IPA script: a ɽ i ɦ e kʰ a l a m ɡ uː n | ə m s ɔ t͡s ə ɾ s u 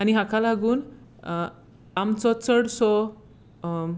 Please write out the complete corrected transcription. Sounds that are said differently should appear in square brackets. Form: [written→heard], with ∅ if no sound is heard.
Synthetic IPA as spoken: a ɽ i ɦ [e→a] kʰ a l a [m→∅] ɡ uː n | [ə→a] m [s→t͡s] ɔ t͡s ə [ɾ→ɽ] s [u→ɔ]